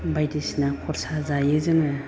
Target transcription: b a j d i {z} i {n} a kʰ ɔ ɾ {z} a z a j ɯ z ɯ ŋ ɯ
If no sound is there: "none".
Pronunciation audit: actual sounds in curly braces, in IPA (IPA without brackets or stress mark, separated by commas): s, n, s